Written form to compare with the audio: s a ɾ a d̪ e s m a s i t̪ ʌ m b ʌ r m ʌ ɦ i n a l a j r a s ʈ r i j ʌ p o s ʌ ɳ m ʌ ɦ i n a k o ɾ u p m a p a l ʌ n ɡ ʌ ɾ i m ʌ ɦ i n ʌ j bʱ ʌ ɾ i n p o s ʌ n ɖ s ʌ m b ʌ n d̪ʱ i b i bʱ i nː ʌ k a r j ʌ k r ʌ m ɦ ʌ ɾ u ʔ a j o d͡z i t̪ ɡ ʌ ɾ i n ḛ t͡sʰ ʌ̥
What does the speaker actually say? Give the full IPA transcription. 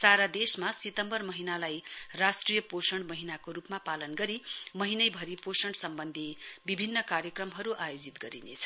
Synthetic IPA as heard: s a ɾ a d̪ e s m a s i t̪ ʌ m b ʌ r m ʌ ɦ i n a l a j r a s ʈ r i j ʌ p o s ʌ ɳ m ʌ ɦ i n a k o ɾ u p m a p a l ʌ n ɡ ʌ ɾ i m ʌ ɦ i n ʌ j bʱ ʌ ɾ i p o s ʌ ɳ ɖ s ʌ m b ʌ n d̪ʱ i b i bʱ i nː ʌ k a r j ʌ k r ʌ m ɦ ʌ ɾ u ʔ a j o d͡z i t̪ ɡ ʌ ɾ i n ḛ t͡sʰ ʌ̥